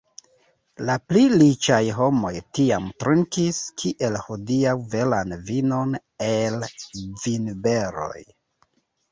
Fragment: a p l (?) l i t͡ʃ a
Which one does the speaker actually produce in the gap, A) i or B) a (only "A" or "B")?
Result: A